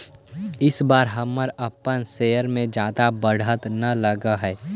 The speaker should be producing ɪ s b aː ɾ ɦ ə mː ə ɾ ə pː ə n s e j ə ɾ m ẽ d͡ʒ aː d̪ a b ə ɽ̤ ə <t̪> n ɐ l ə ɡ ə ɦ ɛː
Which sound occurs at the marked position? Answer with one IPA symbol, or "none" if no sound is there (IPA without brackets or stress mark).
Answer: t̪